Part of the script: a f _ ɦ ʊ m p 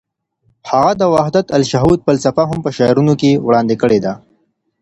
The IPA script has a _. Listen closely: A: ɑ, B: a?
B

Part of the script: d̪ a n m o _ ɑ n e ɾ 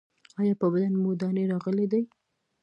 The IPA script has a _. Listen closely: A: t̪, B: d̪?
B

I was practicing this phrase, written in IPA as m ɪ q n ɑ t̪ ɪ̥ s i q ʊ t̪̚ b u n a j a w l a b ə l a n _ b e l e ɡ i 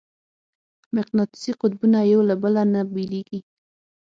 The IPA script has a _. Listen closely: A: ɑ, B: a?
B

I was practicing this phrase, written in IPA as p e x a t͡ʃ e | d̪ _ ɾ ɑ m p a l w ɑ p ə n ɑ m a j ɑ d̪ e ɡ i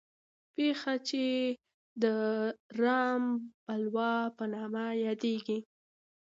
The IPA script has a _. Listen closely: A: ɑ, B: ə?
B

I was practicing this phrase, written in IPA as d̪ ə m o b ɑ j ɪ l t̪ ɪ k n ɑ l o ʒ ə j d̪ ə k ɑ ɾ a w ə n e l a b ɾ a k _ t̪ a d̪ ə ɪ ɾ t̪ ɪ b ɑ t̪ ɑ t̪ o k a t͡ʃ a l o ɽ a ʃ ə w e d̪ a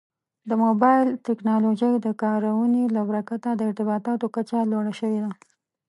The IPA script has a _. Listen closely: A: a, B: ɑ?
A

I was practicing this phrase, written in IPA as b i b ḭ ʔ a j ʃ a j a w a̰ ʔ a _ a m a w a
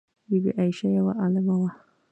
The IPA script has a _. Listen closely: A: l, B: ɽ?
A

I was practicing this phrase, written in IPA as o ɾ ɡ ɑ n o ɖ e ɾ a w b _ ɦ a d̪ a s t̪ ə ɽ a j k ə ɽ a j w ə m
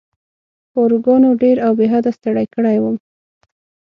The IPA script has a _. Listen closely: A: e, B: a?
A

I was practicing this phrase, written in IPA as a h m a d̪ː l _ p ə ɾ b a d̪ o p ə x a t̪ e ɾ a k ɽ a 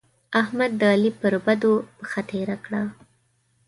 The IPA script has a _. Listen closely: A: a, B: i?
B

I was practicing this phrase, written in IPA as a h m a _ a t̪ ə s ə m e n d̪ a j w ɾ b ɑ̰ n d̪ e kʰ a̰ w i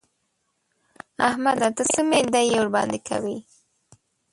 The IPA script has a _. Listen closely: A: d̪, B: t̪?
A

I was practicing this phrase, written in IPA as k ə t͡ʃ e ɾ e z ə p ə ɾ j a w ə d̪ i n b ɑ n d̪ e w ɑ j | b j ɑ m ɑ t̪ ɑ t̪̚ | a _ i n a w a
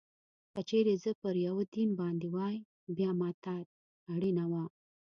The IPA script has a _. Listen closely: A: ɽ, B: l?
A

